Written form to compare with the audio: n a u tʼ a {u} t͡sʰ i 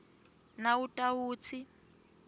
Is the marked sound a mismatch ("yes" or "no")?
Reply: yes